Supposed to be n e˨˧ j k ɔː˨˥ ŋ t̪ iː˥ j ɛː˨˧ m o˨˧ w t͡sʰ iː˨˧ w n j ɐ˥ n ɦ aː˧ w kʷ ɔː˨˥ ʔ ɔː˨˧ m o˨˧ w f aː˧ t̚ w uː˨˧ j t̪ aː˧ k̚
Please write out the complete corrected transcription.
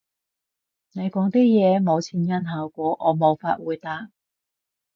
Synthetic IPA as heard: n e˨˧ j k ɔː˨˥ ŋ t̪ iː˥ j ɛː˨˧ m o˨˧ w t͡sʰ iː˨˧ n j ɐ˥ n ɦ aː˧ w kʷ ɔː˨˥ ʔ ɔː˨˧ m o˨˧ w f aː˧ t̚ w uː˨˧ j t̪ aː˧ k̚